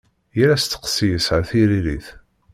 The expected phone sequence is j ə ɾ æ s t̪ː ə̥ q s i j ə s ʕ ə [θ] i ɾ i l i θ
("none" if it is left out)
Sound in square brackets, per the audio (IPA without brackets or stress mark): θ